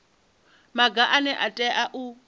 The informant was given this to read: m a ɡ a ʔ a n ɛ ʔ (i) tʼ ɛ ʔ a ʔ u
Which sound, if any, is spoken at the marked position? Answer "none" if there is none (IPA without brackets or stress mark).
a